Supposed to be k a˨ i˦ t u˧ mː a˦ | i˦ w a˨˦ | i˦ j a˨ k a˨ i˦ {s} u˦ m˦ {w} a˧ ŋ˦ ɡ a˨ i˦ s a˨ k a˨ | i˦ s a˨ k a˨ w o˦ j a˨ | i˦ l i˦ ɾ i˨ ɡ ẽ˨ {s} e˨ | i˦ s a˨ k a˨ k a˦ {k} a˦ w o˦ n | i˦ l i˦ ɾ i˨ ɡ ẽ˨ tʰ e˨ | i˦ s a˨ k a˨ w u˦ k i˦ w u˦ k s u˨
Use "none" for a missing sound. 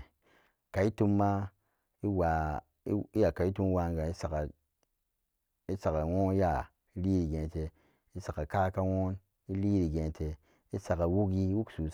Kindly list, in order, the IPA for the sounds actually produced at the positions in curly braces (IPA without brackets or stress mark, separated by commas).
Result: t, w, t, k